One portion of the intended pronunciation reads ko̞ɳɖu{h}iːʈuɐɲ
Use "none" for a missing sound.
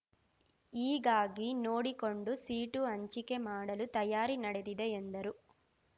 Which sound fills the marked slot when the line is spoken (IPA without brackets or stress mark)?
s